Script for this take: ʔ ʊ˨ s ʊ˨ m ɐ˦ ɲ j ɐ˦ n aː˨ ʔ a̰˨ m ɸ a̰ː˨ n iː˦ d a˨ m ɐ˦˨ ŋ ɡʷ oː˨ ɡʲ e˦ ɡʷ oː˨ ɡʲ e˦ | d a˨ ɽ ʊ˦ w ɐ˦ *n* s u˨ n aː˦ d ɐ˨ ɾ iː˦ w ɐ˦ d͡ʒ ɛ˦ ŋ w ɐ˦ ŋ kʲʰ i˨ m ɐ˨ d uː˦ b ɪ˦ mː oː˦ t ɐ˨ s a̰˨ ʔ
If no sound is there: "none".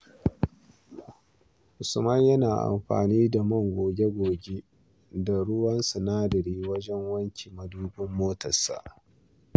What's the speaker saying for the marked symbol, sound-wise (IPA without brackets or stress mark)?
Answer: n